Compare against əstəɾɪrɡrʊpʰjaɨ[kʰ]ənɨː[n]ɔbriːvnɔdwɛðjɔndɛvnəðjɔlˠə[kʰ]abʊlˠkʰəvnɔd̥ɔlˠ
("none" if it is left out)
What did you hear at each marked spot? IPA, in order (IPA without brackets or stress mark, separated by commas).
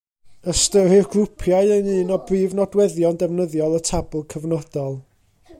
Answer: none, n, tʰ